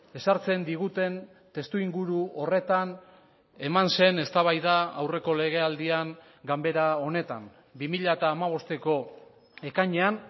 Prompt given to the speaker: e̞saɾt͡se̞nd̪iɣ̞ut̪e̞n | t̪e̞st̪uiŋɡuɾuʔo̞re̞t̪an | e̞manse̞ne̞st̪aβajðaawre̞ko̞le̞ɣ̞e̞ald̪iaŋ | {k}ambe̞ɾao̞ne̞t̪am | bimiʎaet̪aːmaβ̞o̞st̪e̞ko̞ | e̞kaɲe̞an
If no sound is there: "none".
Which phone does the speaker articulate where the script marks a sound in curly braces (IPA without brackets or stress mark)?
ɡ